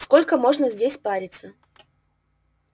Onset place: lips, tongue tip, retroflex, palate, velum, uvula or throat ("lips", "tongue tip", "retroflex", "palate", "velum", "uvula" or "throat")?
tongue tip